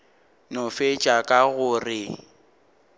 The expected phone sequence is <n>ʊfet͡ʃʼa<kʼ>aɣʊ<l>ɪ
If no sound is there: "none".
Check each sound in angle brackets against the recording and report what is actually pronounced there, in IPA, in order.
n, kʼ, r

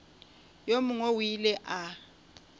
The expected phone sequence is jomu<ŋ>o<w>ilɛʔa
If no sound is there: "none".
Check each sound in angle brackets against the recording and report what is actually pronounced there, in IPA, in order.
ŋ, w

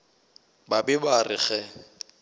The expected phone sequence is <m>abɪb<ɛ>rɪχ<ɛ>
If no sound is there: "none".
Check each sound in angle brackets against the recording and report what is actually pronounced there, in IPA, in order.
b, a, ɛ

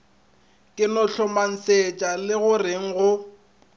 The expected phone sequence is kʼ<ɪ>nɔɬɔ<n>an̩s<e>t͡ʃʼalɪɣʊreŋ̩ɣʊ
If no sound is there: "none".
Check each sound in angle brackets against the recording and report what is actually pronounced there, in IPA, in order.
ɪ, m, e

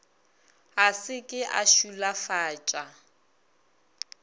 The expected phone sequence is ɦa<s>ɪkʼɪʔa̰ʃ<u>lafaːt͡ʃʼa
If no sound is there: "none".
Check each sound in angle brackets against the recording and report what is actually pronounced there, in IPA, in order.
s, u

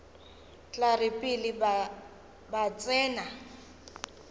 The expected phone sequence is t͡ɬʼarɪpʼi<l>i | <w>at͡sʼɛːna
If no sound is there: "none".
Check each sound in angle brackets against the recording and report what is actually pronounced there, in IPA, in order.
l, b

